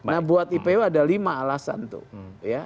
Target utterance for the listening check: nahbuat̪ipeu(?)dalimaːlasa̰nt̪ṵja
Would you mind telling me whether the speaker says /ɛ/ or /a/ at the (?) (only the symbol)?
a